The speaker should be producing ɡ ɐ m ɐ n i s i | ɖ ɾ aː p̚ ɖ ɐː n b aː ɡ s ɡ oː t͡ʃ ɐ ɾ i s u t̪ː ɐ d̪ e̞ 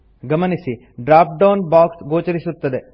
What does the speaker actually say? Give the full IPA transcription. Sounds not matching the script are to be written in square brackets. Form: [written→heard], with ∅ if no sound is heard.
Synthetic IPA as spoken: ɡ ɐ m ɐ n i s i | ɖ ɾ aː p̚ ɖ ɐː n b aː [ɡ→k] s ɡ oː t͡ʃ ɐ ɾ i s u t̪ː ɐ d̪ e̞